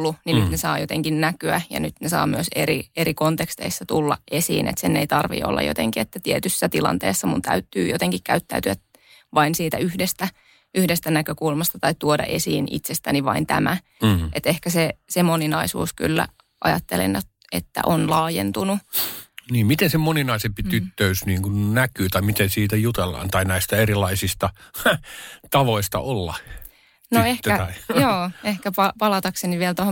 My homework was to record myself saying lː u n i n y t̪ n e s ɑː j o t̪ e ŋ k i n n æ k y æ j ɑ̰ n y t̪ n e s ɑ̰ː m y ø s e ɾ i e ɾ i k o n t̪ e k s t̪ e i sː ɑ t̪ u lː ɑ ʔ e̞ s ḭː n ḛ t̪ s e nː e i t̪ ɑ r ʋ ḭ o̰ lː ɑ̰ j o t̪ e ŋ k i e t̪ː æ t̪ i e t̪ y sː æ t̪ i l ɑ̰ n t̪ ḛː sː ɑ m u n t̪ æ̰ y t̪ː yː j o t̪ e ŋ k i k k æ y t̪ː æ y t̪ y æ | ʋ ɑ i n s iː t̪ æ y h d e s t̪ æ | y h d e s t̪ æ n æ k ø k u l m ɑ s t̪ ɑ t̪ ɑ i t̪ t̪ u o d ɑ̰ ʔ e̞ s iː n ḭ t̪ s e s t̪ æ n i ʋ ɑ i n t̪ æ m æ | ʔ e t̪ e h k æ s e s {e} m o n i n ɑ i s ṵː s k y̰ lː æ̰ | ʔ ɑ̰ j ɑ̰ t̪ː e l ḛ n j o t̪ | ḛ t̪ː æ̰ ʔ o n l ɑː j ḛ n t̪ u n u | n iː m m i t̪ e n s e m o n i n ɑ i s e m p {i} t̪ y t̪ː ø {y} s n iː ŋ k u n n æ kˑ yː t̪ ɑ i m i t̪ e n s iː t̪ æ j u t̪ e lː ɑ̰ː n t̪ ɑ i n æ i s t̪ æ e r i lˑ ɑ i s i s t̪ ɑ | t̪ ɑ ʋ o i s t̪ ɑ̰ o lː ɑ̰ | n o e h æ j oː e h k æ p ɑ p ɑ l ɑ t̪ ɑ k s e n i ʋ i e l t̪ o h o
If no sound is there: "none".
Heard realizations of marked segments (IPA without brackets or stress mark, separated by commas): e, i, y